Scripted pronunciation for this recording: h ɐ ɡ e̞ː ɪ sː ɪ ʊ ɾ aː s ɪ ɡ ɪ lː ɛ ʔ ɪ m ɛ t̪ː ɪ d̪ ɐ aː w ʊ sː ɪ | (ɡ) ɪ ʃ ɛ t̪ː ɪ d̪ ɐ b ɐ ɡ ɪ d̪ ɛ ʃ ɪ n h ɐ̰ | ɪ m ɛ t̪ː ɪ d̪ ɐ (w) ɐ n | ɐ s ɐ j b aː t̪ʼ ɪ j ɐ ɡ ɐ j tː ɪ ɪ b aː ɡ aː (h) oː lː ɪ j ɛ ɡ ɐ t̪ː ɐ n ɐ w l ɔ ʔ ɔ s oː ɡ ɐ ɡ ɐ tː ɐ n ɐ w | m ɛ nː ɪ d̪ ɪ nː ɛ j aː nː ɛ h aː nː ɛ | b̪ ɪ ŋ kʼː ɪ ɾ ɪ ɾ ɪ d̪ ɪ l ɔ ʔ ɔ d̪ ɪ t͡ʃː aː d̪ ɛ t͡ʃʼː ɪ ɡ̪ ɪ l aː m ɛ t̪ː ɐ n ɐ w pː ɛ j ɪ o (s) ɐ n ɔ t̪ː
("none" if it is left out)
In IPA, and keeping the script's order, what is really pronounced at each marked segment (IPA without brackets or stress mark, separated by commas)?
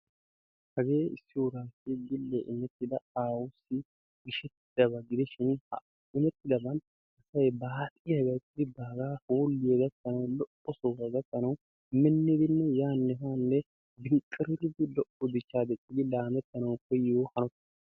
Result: ɡ, b, h, h